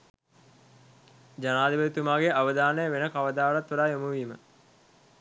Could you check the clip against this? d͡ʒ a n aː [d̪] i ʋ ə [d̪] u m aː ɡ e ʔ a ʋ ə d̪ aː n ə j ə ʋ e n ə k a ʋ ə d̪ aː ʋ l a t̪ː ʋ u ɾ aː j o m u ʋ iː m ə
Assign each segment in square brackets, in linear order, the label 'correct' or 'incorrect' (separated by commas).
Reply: correct, incorrect